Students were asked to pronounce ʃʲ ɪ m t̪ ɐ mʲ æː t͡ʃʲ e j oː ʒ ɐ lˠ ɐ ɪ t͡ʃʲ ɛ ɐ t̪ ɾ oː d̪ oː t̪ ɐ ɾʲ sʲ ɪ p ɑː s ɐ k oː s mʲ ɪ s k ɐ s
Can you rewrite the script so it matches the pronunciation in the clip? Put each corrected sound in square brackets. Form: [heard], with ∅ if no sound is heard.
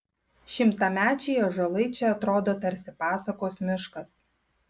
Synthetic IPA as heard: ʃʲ ɪ m t̪ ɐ mʲ æː t͡ʃʲ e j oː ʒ ɐ lˠ ɐ ɪ t͡ʃʲ ɛ ɐ t̪ ɾ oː d̪ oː t̪ ɐ ɾʲ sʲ ɪ p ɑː s ɐ k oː s mʲ ɪ [ʃ] k ɐ s